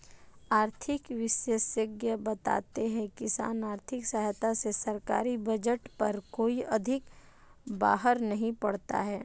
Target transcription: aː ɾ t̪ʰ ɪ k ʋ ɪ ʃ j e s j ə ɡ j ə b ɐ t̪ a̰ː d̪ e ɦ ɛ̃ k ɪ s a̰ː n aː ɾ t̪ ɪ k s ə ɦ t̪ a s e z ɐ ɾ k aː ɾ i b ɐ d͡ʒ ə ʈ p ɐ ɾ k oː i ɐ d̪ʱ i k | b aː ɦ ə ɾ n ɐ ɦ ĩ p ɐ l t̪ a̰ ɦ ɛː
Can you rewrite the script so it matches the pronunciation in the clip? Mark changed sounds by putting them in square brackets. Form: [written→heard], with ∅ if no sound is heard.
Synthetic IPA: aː ɾ t̪ʰ ɪ k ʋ ɪ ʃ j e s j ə ɡ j ə b ɐ t̪ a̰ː [d̪→t̪] e ɦ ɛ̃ k ɪ s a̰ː n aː ɾ [t̪→t̪ʰ] ɪ k s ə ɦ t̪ a s e [z→s] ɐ ɾ k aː ɾ i b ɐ d͡ʒ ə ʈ p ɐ ɾ k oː i ɐ d̪ʱ [i→ɪ] k | b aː ɦ ə ɾ n ɐ ɦ ĩ p ɐ [l→ɽ] t̪ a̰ ɦ ɛː